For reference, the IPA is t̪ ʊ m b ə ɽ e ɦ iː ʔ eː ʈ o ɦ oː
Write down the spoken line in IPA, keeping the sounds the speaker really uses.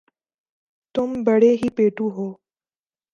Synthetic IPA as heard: t̪ ʊ m b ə ɽ e ɦ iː p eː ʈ u ɦ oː